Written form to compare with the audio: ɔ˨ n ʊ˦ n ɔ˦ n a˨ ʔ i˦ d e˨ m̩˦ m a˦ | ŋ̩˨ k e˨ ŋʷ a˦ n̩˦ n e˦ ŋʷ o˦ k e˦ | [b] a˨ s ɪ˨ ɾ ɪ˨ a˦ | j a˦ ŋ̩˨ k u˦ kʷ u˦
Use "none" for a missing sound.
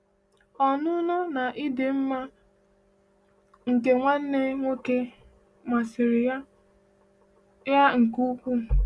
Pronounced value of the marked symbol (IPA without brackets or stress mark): m